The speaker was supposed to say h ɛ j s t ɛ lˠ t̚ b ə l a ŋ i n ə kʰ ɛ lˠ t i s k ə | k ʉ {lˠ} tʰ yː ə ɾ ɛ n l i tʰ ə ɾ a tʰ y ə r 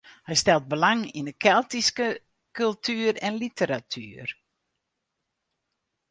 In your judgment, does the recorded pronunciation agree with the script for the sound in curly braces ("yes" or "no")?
yes